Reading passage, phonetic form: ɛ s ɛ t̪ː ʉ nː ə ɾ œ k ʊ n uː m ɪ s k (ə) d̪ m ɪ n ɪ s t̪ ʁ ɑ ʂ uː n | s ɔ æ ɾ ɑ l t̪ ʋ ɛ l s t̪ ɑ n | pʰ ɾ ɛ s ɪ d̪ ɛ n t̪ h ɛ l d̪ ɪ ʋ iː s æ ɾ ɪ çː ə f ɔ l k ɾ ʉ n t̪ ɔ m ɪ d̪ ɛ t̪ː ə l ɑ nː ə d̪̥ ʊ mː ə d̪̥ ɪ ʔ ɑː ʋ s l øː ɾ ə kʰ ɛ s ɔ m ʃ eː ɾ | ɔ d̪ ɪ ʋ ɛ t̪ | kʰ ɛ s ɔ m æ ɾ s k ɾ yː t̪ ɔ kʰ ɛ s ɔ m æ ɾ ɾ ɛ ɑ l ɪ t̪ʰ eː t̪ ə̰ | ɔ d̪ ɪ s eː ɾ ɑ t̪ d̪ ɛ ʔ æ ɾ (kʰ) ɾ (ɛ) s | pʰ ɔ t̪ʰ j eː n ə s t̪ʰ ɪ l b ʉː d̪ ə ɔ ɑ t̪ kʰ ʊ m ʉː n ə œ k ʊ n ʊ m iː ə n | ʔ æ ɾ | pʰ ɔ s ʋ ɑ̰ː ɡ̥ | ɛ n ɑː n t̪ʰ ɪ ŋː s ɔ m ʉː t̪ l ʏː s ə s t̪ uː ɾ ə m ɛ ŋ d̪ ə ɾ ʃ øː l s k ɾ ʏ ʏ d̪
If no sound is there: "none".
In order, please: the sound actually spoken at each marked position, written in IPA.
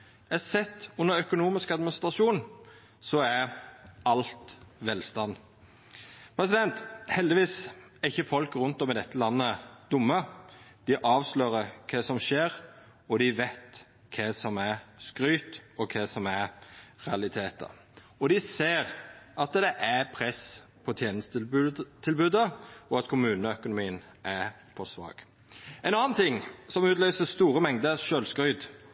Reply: ɑ, pʰ, ɛ

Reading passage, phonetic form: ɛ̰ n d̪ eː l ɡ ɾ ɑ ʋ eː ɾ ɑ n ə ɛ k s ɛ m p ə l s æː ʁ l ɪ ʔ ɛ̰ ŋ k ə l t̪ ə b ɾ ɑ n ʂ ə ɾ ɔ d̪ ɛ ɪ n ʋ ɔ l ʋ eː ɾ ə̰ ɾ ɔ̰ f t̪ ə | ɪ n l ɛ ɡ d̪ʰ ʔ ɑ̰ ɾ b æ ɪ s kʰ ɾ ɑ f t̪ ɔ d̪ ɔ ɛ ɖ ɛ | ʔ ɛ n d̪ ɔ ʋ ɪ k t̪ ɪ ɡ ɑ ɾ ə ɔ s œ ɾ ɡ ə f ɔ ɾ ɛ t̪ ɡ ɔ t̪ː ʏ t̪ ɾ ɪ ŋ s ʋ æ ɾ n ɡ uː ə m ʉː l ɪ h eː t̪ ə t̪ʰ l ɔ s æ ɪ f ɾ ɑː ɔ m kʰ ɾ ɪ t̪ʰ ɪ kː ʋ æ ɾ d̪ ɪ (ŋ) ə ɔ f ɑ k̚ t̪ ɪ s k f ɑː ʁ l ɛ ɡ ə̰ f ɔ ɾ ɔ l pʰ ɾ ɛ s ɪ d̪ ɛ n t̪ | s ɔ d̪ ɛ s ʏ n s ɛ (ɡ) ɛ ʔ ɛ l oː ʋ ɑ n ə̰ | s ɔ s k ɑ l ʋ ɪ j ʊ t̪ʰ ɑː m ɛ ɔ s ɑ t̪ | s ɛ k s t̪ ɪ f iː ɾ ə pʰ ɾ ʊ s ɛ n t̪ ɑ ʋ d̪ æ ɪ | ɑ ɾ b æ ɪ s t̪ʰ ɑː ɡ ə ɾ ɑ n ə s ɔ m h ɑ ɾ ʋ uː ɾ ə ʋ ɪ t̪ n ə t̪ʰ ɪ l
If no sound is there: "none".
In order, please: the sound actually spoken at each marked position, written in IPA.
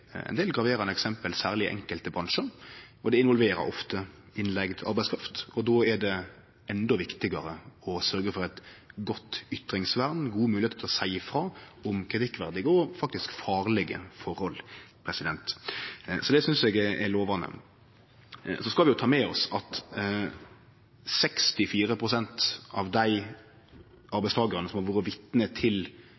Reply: ɡ, ɡ

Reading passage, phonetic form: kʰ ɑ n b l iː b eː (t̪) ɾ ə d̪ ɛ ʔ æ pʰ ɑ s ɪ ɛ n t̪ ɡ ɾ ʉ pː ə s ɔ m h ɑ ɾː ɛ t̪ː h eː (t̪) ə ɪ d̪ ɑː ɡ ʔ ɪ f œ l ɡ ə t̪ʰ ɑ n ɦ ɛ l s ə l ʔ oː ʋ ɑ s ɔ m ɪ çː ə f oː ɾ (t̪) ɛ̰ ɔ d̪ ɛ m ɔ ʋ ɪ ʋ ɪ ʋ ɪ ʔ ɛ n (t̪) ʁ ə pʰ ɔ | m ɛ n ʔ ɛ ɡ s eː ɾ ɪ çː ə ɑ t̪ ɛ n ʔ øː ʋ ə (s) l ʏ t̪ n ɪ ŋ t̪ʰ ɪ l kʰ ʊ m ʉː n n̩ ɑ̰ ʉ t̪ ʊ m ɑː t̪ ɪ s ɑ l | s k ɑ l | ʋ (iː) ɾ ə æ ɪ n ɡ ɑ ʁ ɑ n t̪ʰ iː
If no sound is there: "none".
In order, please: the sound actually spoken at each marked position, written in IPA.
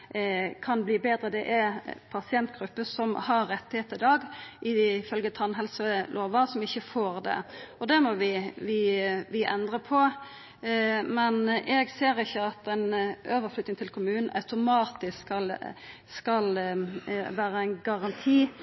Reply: d̪, t̪, d̪, d̪, f, æː

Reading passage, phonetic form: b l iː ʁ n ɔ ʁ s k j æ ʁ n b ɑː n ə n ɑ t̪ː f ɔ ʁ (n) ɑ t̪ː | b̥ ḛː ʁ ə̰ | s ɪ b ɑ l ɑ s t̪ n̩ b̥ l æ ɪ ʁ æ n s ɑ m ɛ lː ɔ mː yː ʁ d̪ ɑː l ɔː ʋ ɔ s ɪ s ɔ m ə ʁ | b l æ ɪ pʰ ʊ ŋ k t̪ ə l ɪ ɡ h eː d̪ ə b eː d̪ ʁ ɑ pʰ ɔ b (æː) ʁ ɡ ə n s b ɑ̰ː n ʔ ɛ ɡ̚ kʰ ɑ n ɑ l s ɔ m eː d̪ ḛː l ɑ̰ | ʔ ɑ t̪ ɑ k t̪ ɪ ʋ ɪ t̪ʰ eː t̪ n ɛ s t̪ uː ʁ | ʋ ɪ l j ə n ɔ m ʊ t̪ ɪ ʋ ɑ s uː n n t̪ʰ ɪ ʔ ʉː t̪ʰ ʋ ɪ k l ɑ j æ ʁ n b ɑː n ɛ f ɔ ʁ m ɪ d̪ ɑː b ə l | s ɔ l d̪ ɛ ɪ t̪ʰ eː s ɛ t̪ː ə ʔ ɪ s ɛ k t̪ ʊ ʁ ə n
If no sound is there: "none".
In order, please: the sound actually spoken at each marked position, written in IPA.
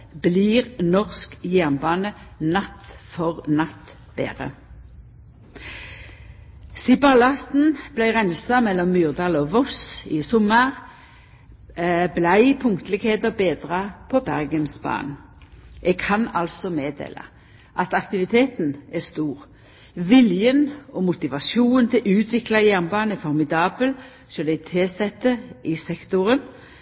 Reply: n, æ

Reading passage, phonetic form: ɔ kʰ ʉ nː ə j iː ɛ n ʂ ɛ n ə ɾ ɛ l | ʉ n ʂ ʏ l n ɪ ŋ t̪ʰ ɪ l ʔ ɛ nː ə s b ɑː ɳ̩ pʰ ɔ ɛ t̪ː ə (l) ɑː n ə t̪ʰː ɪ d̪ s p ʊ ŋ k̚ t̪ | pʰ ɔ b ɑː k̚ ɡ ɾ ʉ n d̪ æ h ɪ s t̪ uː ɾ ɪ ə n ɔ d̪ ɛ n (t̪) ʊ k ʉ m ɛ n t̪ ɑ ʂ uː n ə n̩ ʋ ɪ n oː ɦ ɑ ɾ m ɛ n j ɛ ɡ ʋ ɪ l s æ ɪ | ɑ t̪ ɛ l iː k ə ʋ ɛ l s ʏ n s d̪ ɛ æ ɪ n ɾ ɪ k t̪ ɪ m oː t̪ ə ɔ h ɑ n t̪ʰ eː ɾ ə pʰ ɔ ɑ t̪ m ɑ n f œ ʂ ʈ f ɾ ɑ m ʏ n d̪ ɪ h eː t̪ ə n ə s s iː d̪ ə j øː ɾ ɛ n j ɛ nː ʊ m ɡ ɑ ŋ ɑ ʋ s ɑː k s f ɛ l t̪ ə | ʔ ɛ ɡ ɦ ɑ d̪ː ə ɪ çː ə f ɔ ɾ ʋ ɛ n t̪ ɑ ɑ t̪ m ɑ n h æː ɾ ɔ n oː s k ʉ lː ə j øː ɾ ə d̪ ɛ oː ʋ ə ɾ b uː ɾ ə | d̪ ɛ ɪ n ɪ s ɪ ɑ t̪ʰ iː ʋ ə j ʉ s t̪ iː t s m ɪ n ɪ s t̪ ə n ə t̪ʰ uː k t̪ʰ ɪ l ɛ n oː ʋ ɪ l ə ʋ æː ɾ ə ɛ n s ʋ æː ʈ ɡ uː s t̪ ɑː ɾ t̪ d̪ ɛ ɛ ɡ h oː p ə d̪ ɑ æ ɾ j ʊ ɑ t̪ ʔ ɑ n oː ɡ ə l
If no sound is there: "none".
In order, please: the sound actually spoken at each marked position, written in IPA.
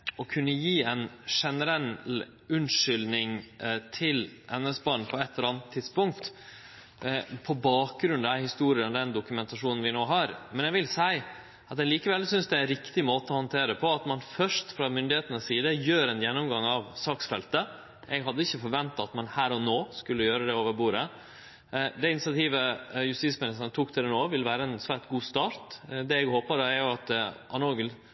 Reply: ɾ, d̪

